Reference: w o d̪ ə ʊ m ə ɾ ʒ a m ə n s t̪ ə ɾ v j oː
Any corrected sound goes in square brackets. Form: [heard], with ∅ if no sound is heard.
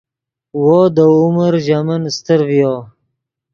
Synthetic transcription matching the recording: w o d̪ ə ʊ m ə ɾ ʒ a m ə n s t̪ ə ɾ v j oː